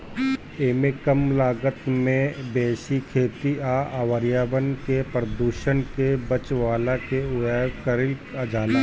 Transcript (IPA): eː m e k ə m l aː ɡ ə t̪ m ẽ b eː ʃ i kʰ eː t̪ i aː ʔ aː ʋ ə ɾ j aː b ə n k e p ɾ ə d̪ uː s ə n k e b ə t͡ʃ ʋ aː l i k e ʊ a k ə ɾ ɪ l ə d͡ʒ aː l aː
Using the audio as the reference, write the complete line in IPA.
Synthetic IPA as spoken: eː m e k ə m l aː ɡ ə t̪ m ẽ b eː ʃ i kʰ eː t̪ i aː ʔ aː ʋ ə ɾ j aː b ə n k e p ɾ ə d̪ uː ʃ ə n k e b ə t͡ʃ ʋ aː l a k e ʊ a k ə ɾ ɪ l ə d͡ʒ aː l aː